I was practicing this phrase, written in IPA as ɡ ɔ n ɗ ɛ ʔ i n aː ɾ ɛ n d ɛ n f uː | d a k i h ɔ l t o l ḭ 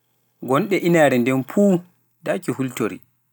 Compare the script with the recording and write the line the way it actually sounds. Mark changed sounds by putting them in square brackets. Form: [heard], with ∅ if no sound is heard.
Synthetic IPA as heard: ɡ ɔ n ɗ ɛ ʔ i n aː ɾ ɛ n d ɛ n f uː | d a k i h [u] l t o [ɾ] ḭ